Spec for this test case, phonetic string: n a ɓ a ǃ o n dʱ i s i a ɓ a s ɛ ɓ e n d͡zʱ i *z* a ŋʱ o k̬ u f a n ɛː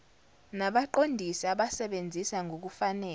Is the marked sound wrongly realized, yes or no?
yes